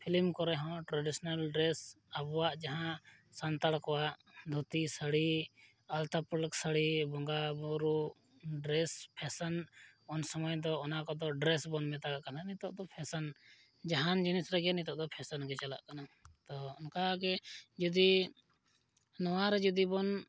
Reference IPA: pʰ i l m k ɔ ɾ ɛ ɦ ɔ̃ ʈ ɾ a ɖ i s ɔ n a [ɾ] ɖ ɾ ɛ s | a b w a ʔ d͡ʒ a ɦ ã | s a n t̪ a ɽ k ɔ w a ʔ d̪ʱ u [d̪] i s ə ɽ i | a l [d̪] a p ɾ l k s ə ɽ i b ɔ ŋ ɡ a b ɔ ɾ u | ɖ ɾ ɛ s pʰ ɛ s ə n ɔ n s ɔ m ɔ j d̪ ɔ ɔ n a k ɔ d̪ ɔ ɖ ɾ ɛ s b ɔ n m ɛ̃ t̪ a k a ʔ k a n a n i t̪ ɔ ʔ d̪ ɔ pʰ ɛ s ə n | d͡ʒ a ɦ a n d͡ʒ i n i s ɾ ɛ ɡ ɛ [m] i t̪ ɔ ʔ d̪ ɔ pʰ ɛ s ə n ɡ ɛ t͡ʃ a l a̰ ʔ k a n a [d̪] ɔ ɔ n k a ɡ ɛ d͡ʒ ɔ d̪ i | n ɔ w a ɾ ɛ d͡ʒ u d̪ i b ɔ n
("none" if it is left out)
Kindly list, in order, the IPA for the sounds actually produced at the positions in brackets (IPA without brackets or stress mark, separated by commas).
l, t̪, t̪, n, t̪